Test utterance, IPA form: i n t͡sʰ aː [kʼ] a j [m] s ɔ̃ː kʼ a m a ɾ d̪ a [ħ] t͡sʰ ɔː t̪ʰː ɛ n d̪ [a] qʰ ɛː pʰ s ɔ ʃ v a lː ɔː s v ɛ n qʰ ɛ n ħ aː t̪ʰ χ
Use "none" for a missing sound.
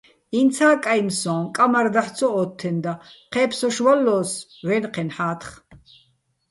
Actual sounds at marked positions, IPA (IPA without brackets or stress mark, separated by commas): kʼ, m, ħ, a